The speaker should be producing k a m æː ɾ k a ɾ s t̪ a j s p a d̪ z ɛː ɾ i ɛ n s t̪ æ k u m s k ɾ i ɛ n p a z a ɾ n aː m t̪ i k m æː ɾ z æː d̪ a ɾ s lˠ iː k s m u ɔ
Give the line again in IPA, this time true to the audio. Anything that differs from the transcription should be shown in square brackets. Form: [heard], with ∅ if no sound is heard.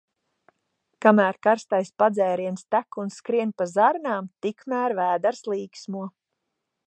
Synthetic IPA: k a m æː ɾ k a ɾ s t̪ a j s p a d̪ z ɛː ɾ i ɛ n s t̪ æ k u [n] s k ɾ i ɛ n p a z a ɾ n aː m t̪ i k m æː ɾ [v] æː d̪ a ɾ s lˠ iː k s m u ɔ